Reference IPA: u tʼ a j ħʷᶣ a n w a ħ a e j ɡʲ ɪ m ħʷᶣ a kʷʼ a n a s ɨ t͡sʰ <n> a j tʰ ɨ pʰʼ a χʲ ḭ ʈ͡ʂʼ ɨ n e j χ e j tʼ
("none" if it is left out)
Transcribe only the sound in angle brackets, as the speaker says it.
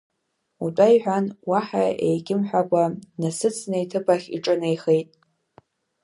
n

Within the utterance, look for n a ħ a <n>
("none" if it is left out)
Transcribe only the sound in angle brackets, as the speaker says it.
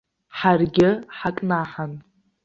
n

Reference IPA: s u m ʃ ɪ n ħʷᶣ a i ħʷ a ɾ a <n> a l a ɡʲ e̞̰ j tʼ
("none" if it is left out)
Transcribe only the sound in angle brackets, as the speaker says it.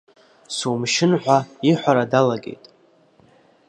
d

